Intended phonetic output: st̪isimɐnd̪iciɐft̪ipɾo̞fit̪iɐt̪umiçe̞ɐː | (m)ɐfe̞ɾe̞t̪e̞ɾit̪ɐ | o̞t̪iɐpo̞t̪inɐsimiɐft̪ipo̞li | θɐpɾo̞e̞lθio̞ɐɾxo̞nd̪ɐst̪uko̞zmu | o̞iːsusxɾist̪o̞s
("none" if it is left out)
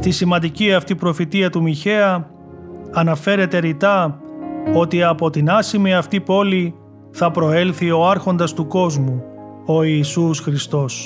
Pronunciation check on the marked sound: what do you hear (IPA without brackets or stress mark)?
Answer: n